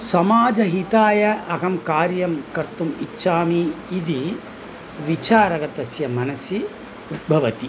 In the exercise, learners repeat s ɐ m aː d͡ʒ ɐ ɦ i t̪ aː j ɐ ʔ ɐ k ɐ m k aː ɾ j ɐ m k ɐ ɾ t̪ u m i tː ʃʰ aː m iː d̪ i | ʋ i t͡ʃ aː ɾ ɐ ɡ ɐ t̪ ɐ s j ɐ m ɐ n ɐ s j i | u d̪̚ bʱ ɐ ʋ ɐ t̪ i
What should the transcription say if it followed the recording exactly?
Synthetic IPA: s ɐ m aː d͡ʒ ɐ ɦ i t̪ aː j ɐ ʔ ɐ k ɐ m k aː ɾ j ɐ m k ɐ ɾ t̪ u m i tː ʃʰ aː m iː d̪ i | ʋ i t͡ʃ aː ɾ ɐ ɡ ɐ t̪ ɐ s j ɐ m ɐ n ɐ s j i | u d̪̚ bʱ ɐ ʋ ɐ t̪ i